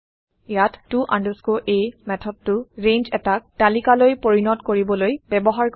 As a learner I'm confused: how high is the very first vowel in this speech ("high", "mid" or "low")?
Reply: low